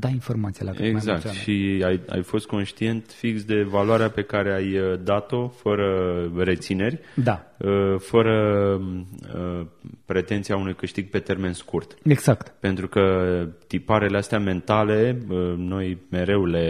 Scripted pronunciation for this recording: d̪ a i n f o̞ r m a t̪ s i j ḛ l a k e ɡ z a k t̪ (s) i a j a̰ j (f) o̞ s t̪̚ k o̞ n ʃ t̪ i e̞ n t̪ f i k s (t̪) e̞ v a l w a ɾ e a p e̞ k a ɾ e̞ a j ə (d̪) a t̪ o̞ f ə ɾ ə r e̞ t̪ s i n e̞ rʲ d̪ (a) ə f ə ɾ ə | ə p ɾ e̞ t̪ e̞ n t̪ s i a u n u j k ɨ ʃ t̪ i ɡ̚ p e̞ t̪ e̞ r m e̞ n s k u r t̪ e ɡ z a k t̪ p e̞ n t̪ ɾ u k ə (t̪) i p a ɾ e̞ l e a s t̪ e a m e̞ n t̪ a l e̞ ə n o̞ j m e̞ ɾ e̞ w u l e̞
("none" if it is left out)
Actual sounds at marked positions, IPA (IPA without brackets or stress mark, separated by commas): ʃ, f, d̪, d̪, a, t̪